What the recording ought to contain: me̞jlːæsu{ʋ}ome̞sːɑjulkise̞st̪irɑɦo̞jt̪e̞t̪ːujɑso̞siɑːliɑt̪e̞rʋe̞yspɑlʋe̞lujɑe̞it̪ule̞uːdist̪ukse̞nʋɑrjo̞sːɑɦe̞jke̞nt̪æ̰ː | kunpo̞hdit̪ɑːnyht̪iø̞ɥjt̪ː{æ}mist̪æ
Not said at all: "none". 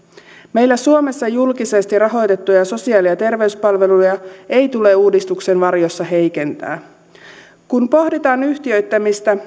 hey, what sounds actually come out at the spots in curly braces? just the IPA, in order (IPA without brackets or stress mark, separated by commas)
none, æ